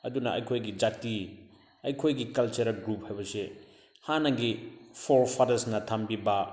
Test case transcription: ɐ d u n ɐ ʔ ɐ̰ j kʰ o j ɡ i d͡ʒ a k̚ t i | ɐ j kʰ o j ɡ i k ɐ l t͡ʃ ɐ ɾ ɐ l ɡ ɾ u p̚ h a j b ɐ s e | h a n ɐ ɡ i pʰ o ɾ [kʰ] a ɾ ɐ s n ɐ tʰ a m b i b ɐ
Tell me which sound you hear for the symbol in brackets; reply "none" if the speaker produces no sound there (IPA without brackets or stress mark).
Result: pʰ